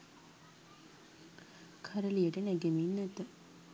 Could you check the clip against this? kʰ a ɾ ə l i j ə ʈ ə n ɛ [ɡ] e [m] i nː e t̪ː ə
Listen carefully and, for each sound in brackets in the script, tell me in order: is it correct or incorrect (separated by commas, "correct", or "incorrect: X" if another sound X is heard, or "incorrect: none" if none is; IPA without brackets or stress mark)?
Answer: correct, correct